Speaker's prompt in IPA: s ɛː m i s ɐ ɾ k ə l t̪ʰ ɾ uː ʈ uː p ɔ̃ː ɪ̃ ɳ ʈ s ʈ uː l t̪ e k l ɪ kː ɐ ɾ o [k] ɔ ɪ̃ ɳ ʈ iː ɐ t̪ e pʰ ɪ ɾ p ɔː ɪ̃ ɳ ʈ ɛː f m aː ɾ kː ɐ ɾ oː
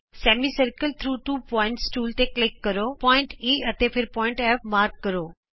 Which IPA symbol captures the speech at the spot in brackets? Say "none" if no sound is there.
p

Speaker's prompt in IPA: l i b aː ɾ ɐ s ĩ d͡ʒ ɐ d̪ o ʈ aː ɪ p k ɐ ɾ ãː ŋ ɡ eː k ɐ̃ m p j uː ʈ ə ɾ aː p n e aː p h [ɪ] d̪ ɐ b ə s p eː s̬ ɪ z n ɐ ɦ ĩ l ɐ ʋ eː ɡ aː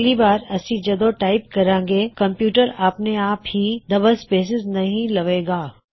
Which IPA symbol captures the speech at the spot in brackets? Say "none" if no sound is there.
i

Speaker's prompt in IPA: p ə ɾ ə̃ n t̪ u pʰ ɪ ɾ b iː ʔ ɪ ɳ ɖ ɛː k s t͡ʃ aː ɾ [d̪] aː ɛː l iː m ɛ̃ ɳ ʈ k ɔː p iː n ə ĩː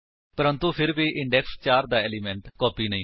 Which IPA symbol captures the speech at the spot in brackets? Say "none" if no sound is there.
d̪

